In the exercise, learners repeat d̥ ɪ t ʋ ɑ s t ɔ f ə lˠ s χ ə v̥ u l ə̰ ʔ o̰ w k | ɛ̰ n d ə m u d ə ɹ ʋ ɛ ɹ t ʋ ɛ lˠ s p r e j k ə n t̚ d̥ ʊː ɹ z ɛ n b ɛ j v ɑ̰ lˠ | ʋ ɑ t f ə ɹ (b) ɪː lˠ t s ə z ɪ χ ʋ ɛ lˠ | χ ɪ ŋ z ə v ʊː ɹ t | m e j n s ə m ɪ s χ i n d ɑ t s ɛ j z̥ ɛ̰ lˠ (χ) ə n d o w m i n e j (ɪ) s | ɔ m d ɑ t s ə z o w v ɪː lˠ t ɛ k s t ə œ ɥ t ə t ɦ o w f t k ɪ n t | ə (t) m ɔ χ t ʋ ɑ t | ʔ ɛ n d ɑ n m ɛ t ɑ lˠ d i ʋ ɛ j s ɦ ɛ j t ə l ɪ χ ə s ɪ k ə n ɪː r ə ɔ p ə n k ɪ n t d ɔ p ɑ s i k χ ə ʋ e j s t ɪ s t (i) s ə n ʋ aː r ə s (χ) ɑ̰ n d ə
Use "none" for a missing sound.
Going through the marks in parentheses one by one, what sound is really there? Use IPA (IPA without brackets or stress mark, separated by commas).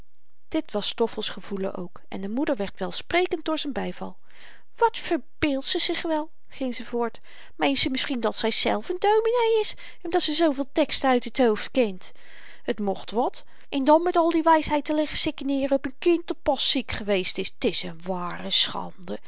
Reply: b, f, ɪ, t, ɪ, χ